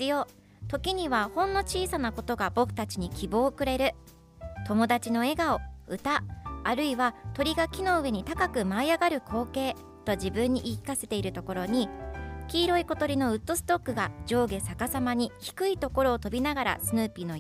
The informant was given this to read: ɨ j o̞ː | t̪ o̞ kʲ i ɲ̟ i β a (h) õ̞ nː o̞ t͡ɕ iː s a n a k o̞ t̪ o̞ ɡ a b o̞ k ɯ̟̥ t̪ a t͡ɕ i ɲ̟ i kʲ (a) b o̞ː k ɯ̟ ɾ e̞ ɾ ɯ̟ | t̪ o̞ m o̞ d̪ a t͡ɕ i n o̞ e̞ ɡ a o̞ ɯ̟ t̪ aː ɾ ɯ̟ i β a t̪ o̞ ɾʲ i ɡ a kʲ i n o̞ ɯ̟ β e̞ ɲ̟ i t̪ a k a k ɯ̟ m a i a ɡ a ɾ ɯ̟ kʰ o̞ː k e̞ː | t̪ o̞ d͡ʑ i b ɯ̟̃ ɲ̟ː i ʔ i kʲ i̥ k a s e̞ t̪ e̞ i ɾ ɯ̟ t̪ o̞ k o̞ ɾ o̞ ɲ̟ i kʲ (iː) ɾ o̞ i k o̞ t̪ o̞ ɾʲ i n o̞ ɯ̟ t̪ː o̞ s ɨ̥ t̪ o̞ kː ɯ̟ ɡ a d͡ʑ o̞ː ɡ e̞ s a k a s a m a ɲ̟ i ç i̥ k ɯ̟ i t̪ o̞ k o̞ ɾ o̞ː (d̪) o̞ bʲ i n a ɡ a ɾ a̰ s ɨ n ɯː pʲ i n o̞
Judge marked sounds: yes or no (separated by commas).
yes, no, yes, no